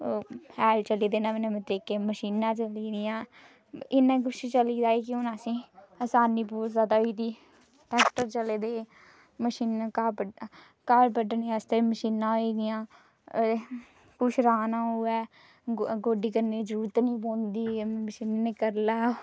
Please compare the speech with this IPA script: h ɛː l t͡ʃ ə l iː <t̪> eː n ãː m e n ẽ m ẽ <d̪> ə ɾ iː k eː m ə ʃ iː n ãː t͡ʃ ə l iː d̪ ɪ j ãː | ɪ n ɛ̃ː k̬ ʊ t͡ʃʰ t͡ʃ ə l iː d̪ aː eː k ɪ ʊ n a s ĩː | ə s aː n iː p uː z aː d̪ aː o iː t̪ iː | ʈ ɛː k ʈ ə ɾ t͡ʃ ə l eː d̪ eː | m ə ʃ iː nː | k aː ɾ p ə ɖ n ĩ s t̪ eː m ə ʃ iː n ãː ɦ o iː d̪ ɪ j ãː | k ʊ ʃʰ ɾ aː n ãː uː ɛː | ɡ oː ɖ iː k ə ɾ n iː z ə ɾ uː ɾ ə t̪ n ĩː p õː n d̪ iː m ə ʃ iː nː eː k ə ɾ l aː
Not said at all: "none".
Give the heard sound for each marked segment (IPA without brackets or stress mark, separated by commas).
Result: d̪, t̪